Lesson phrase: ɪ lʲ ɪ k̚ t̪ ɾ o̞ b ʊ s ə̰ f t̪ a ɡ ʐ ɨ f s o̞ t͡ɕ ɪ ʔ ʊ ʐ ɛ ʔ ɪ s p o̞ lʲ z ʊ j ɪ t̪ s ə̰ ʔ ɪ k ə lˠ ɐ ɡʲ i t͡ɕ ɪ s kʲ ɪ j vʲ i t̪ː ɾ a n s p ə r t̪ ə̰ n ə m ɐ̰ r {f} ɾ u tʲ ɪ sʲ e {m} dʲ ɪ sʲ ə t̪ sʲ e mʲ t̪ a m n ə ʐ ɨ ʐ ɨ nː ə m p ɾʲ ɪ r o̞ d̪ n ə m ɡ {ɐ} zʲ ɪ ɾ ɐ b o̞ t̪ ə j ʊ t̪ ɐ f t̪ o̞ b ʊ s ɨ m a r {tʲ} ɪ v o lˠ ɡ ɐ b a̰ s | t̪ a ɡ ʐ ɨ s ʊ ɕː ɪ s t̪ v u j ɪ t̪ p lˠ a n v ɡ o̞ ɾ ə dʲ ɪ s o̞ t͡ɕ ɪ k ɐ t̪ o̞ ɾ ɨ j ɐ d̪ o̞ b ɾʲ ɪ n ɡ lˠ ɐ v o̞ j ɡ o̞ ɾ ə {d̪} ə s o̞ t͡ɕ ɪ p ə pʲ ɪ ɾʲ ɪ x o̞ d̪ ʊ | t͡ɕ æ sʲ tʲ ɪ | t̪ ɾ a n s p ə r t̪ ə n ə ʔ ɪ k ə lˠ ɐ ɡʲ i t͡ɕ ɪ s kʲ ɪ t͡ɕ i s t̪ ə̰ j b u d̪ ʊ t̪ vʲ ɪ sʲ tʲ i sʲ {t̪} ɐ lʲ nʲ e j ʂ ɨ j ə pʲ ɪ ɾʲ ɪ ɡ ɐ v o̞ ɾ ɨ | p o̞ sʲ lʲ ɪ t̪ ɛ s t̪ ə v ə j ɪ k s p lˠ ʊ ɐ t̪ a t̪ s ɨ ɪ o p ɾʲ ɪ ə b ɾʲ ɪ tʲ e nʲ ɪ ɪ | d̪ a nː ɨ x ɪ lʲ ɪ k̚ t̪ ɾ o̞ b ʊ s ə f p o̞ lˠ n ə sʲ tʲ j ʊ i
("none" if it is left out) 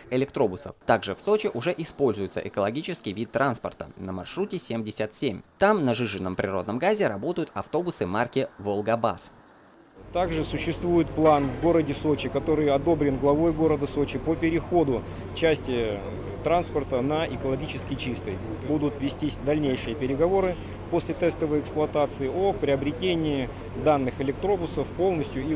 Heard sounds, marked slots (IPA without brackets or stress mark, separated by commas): ʂ, m, a, kʲ, d̪, d̪